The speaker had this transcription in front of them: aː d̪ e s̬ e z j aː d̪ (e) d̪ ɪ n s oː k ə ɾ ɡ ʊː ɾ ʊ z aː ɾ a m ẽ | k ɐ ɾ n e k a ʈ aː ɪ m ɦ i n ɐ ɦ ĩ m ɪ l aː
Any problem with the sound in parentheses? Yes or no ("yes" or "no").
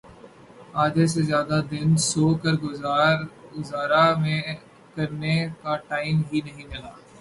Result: yes